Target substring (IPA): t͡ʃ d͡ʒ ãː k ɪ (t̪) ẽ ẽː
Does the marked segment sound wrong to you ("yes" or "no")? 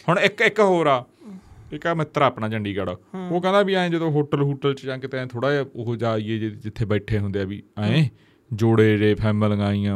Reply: no